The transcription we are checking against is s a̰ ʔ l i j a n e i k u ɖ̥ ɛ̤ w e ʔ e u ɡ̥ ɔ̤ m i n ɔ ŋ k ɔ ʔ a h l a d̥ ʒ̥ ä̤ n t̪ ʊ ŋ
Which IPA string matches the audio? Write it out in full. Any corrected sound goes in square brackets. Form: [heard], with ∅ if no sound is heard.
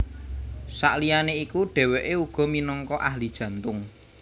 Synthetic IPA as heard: s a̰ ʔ l i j a n e i k u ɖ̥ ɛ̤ w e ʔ e u ɡ̥ ɔ̤ m i n ɔ ŋ k ɔ ʔ a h l [i] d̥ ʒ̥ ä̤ n t̪ ʊ ŋ